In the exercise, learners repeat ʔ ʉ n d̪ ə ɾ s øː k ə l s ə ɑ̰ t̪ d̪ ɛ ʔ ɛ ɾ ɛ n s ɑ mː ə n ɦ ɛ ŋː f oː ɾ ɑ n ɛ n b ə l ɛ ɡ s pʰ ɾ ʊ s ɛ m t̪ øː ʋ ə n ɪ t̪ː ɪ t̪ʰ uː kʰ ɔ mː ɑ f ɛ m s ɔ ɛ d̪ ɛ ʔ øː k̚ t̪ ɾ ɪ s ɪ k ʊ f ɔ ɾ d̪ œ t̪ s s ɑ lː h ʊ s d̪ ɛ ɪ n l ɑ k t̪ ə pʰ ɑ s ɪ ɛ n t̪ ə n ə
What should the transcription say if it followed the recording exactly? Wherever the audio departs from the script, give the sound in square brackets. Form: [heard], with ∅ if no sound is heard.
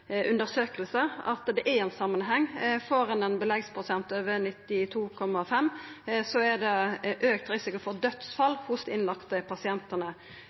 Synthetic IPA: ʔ ʉ n d̪ ə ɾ s øː k ə l s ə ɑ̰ t̪ d̪ ɛ ʔ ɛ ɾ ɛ n s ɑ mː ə n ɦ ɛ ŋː f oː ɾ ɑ n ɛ n b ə l ɛ ɡ s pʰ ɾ ʊ s ɛ [n] t̪ øː ʋ ə n ɪ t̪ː ɪ t̪ʰ uː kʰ ɔ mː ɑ f ɛ m s ɔ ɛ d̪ ɛ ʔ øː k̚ t̪ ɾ ɪ s ɪ k ʊ f ɔ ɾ d̪ œ t̪ s [f] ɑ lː h ʊ s d̪ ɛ ɪ n l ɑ k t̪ ə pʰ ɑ s ɪ ɛ n t̪ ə n ə